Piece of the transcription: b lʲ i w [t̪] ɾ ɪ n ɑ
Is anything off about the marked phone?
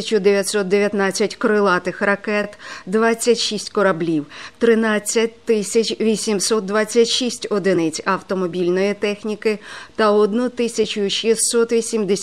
no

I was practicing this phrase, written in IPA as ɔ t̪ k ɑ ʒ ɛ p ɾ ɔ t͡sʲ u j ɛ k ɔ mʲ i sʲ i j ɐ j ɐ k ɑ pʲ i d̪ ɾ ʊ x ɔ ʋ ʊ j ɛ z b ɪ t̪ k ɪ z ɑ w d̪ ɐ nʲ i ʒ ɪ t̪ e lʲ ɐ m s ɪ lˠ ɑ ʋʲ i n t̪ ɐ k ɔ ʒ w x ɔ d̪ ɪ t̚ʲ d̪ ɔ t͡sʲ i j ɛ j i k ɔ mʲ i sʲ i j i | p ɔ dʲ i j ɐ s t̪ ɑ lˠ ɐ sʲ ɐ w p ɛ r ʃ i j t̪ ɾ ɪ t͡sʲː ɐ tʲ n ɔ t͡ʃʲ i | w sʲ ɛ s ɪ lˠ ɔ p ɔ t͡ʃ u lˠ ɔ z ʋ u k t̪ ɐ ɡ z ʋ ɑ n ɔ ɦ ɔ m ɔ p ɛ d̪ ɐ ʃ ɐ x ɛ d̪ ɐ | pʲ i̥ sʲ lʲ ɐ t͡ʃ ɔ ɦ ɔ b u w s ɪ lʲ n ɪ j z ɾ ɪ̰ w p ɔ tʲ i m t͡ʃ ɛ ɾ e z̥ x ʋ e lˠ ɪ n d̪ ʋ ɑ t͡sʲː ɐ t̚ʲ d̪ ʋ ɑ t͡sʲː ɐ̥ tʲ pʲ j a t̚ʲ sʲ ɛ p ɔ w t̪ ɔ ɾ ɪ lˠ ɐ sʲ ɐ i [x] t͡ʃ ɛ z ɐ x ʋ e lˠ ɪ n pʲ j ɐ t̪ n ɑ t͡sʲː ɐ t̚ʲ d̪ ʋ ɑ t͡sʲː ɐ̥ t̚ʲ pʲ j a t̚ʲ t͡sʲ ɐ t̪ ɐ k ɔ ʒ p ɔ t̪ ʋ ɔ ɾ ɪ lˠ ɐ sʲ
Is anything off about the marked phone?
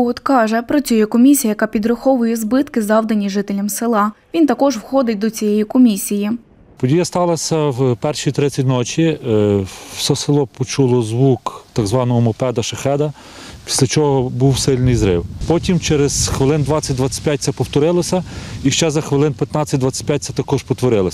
yes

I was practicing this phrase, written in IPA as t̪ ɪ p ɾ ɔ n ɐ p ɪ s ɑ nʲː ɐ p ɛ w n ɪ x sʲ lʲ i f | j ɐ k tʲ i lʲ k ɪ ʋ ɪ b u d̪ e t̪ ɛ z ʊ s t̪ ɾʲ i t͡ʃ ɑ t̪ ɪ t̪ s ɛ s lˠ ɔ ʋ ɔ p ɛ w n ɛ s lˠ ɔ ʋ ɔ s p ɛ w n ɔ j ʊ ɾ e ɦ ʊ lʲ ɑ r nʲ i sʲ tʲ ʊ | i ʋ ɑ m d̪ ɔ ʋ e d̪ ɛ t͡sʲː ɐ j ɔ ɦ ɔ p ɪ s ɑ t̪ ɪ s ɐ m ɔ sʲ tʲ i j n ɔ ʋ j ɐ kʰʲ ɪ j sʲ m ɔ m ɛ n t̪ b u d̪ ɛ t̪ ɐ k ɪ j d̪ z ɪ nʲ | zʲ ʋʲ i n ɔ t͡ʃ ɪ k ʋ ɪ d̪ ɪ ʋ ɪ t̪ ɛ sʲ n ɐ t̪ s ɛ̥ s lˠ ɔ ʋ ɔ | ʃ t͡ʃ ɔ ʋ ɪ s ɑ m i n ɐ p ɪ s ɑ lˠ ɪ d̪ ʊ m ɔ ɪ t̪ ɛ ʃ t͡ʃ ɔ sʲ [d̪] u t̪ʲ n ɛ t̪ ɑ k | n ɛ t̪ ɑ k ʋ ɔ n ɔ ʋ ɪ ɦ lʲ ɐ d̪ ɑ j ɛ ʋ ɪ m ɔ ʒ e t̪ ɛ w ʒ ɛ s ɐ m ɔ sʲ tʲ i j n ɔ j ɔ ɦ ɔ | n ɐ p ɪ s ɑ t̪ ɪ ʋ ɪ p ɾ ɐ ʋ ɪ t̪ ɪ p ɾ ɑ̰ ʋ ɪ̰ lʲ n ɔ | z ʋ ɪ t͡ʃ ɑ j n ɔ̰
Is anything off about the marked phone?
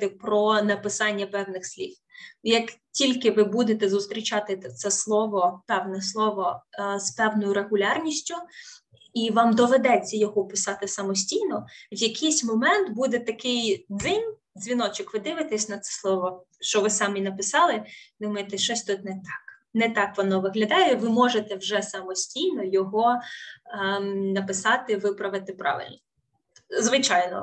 yes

